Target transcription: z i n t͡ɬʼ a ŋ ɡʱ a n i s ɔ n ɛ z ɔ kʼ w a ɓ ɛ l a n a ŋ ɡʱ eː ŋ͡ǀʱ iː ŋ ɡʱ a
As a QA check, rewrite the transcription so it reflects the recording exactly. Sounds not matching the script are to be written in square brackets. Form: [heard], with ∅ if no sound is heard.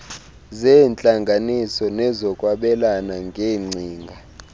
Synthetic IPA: z [ɛ] n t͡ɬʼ a ŋ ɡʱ a n i s ɔ n ɛ z ɔ kʼ w a ɓ ɛ l a n a ŋ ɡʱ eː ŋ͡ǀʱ iː ŋ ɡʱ a